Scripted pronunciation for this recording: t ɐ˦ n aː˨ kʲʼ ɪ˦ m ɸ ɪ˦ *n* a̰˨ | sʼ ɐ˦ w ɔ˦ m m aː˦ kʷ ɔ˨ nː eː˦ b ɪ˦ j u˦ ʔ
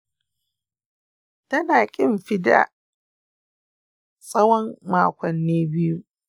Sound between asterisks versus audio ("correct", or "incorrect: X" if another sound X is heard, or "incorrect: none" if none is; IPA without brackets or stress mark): incorrect: d